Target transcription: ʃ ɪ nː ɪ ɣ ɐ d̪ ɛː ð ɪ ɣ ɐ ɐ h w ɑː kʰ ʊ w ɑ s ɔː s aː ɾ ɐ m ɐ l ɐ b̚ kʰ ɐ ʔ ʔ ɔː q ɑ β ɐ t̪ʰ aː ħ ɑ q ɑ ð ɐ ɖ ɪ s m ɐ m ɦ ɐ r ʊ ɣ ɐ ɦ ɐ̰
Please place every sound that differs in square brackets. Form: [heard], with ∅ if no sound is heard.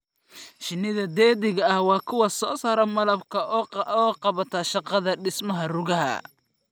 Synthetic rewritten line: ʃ ɪ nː ɪ [ð] ɐ d̪ ɛː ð ɪ ɣ ɐ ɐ h w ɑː kʰ ʊ w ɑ s ɔː s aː ɾ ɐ m ɐ l ɐ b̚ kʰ ɐ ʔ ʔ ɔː q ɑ β ɐ t̪ʰ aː [ʃ] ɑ q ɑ ð ɐ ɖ ɪ s m ɐ [∅] ɦ ɐ r ʊ ɣ ɐ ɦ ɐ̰